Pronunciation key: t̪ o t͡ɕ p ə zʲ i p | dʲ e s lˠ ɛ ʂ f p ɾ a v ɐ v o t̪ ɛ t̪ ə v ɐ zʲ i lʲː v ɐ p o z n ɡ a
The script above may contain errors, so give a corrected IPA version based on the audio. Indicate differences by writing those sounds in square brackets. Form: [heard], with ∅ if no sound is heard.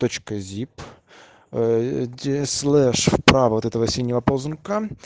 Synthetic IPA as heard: t̪ o t͡ɕ [k] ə zʲ i p | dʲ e s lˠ ɛ ʂ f p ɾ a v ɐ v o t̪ ɛ t̪ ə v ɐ [sʲ] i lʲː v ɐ p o z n [k] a